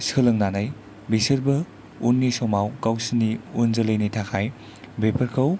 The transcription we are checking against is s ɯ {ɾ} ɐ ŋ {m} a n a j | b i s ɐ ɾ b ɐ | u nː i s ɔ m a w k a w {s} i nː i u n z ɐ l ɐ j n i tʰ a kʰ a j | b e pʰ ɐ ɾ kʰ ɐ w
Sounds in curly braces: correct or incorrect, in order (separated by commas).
incorrect, incorrect, correct